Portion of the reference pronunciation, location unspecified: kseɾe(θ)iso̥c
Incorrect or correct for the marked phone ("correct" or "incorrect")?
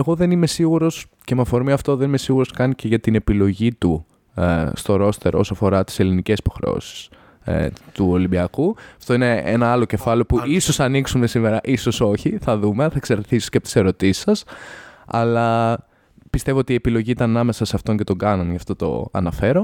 correct